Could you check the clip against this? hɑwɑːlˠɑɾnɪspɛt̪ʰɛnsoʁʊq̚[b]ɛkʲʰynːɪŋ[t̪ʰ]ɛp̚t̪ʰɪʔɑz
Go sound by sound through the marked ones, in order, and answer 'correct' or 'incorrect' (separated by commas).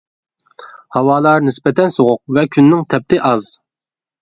incorrect, correct